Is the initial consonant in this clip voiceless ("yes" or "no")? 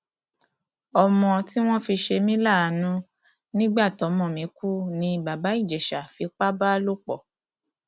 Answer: no